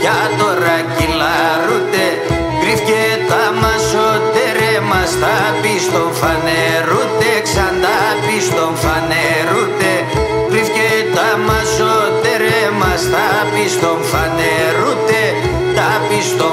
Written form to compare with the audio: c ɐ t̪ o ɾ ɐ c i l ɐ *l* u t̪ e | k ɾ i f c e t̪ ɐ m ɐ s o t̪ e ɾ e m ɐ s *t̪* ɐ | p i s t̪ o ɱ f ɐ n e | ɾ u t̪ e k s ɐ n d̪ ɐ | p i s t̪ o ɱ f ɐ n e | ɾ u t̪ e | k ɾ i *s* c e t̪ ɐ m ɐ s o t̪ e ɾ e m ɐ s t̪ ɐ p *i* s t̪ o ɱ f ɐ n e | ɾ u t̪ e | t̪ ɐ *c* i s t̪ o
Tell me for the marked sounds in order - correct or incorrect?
incorrect: ɾ, correct, incorrect: f, correct, incorrect: p

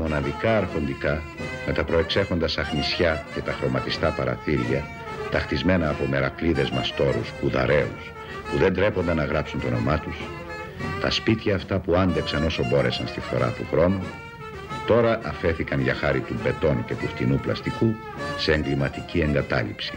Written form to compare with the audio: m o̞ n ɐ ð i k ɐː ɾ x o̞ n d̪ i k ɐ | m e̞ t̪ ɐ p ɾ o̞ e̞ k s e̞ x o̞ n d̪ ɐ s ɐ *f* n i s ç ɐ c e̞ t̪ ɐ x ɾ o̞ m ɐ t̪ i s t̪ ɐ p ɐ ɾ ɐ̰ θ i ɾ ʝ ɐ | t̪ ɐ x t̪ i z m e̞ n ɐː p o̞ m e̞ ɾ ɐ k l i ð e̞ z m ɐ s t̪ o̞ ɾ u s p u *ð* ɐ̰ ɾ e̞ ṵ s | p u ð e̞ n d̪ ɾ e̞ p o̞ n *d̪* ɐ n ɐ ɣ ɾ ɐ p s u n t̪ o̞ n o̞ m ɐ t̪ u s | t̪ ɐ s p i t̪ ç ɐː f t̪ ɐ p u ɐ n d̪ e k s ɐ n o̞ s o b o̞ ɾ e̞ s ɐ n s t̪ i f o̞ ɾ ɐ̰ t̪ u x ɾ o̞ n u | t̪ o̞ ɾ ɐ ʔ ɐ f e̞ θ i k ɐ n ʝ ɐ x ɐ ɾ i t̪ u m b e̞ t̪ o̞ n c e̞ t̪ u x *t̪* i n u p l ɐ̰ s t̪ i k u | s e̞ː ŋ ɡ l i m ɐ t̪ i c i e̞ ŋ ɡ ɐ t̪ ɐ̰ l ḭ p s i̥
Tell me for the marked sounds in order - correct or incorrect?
incorrect: x, correct, correct, correct

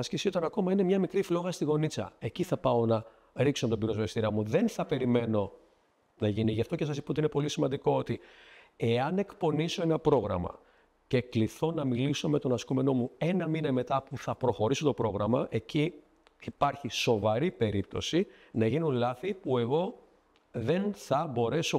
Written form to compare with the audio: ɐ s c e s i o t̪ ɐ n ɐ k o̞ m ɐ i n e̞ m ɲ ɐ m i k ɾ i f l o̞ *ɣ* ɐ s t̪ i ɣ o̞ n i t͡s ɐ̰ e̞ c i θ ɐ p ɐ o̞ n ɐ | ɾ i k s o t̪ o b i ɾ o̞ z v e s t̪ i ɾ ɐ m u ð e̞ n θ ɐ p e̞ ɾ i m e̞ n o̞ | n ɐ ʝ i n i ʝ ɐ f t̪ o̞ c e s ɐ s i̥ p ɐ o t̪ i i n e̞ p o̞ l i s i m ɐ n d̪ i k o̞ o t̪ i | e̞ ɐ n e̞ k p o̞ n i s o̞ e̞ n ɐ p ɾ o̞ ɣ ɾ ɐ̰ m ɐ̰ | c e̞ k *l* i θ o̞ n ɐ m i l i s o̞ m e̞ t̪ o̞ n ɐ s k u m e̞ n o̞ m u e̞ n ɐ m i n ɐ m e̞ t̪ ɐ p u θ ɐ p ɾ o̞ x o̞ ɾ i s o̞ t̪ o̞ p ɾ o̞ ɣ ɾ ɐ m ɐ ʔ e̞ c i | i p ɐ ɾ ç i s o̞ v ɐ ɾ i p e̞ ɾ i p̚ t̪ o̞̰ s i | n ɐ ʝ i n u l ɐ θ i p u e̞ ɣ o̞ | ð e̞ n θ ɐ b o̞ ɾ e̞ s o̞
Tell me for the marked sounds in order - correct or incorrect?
correct, correct

